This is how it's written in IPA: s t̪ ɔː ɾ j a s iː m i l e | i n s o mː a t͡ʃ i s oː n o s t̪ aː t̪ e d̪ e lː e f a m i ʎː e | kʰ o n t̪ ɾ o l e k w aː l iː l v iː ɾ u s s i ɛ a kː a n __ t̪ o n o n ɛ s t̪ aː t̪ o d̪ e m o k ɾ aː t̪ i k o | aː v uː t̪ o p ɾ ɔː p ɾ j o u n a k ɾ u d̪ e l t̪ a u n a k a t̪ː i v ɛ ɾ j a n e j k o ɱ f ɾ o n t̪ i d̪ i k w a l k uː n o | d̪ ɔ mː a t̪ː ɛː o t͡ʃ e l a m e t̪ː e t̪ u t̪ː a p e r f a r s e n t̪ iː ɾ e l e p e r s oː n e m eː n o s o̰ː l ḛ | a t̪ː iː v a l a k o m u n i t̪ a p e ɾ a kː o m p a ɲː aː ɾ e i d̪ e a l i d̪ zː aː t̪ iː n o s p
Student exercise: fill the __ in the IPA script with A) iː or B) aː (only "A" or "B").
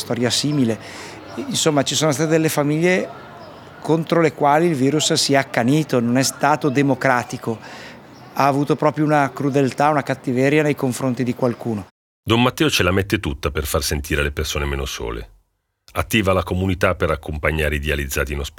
A